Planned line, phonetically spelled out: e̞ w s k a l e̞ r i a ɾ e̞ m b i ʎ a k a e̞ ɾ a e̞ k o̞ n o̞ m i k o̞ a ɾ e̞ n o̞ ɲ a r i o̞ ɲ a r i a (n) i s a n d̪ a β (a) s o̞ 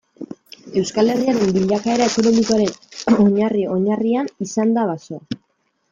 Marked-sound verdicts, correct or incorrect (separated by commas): correct, correct